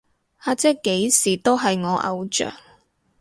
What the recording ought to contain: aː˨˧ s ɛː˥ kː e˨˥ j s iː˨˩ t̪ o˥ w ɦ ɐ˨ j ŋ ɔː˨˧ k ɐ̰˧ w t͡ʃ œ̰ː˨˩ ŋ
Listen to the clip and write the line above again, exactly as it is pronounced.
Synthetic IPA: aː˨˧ t͡s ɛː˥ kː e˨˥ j s iː˨˩ t̪ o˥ w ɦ ɐ˨ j ŋ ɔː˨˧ ʔ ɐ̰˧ w t͡ʃ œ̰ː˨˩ ŋ